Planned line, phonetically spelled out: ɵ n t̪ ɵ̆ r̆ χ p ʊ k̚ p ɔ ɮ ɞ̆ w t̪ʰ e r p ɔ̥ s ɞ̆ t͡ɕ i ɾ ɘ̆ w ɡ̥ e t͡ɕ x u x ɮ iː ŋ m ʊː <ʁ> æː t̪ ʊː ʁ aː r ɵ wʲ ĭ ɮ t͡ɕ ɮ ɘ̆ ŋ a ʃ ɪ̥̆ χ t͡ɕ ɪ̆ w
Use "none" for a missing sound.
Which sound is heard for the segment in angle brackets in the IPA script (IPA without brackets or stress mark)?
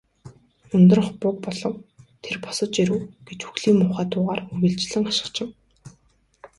χ